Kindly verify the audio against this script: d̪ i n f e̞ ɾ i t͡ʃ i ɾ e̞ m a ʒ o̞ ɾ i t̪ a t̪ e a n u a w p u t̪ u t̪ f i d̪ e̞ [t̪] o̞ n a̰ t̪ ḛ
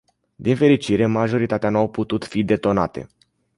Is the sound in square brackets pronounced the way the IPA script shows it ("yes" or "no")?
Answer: yes